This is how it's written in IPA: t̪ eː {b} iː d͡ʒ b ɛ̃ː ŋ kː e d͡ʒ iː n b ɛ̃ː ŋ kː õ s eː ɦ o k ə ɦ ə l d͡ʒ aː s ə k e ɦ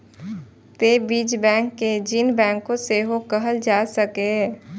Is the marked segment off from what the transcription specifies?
no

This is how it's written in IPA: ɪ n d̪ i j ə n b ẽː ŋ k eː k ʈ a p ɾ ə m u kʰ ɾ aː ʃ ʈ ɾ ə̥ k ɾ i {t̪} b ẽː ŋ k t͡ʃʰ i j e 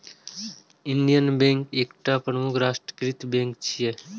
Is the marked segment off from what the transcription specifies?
no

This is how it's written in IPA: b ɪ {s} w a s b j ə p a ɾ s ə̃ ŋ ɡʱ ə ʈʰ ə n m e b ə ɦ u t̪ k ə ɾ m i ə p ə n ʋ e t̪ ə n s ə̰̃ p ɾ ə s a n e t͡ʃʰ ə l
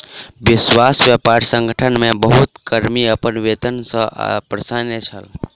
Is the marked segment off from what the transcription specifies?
no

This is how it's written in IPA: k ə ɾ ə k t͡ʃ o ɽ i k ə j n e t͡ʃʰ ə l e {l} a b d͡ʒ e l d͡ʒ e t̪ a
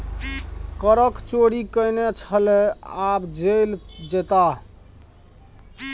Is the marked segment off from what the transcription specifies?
yes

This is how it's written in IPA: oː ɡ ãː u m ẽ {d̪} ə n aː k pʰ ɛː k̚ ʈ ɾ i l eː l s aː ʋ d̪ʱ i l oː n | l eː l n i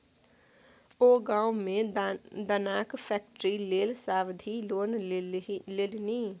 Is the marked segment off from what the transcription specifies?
no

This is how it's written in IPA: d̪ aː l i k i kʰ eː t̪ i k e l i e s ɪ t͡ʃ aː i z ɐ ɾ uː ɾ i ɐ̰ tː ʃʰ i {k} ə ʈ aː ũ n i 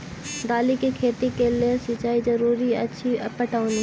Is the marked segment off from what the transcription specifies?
yes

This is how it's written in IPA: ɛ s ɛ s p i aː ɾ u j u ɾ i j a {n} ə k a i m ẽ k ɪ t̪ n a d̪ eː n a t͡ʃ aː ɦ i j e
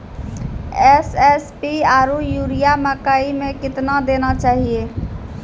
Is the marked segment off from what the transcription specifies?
yes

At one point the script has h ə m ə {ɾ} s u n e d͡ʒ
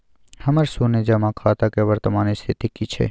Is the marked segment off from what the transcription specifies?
no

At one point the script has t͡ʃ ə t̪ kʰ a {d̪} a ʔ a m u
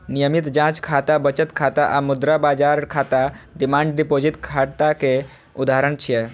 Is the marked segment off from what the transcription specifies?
yes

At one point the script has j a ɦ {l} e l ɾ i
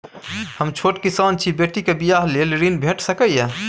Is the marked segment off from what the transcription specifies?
no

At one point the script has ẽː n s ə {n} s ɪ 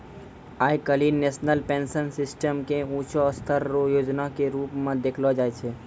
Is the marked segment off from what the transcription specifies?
no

